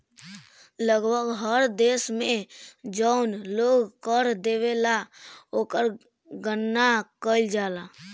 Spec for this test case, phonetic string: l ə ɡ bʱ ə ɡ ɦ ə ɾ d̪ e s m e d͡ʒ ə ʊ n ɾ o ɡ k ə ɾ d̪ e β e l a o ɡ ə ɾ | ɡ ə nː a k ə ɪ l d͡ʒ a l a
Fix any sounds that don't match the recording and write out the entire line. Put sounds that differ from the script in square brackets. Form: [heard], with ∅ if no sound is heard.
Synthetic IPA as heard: l ə ɡ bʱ ə ɡ ɦ ə ɾ d̪ e s m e d͡ʒ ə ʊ n [l] o ɡ k ə ɾ d̪ e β e l a o [k] ə ɾ | ɡ ə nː a k ə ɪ l d͡ʒ a l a